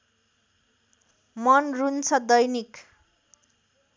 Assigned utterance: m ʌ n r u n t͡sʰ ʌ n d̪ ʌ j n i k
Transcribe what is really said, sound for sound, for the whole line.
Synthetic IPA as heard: m ʌ n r u n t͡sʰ ʌ d̪ ʌ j n i k

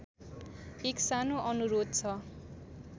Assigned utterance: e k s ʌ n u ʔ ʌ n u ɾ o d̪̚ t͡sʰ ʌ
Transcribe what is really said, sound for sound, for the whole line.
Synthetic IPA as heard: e k s a n o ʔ ʌ n u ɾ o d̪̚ t͡sʰ ʌ

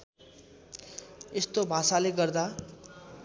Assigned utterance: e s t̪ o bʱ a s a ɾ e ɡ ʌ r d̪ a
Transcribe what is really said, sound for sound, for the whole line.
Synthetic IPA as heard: e s t̪ o bʱ a s a l e ɡ ʌ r d̪ a

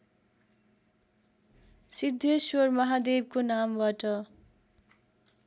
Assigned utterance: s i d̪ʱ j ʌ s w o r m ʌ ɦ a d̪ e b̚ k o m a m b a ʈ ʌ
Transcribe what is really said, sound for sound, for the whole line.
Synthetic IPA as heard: s i d̪ʱ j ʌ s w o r m ʌ ɦ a d̪ e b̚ k o n a m b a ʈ ʌ

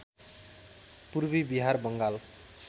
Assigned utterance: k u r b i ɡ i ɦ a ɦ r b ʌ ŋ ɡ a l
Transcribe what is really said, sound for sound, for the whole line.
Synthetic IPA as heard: p u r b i b i ɦ a r b ʌ ŋ ɡ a l

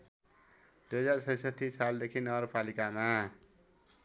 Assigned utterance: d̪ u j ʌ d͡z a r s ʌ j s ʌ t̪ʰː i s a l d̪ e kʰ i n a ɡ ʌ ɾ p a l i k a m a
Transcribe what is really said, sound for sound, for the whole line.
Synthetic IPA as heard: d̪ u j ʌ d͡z a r s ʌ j s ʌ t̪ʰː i s a l d̪ e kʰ i n ʌ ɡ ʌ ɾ p a l i k a m a

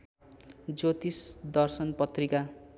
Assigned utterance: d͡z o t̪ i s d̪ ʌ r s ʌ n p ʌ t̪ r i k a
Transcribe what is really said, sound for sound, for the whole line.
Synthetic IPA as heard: d͡z o t̪ i s d̪ ʌ r s ʌ n p ʌ t̪ r i k a

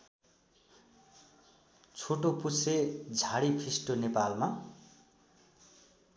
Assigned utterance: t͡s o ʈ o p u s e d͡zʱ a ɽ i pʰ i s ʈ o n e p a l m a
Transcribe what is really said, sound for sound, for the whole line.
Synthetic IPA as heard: t͡sʰ o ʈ o p u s e d͡zʱ a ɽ i pʰ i s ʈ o n e p a l m a

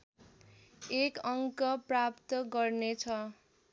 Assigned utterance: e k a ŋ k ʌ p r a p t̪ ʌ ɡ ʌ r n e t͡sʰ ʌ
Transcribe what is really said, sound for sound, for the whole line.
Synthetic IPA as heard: e k ʌ ŋ k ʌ p r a p t̪ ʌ ɡ ʌ r n e t͡sʰ ʌ

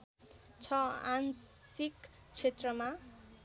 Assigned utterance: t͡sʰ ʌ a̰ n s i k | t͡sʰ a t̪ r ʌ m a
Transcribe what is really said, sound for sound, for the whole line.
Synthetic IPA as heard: t͡sʰ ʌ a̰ n s i k | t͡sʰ e t̪ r ʌ m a

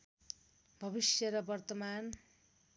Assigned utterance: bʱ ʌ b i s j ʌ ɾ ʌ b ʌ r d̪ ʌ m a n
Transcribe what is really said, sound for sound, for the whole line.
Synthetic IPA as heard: bʱ ʌ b i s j ʌ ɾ ʌ b ʌ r t̪ ʌ m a n

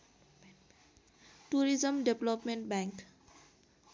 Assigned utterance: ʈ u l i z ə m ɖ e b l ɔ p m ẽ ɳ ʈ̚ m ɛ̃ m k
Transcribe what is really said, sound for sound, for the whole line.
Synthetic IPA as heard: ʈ u ɾ i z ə m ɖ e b l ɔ p m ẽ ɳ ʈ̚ b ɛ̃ ŋ k

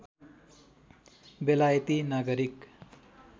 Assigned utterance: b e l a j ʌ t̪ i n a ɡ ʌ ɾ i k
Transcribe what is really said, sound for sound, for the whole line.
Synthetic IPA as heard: b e l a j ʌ t̪ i n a ɡ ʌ ɾ i k

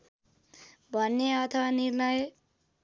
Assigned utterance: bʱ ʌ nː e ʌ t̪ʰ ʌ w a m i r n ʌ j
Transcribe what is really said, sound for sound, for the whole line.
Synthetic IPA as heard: bʱ ʌ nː e ʌ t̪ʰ ʌ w a n i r n ʌ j

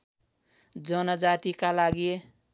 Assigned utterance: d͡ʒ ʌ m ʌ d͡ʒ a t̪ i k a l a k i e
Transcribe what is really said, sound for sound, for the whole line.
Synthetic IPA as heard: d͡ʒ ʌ n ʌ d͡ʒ a t̪ i k a l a ɡ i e

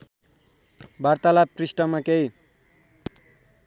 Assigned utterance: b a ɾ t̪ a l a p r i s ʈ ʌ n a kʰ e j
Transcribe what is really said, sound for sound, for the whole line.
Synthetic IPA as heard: b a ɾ t̪ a l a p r i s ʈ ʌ m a k e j

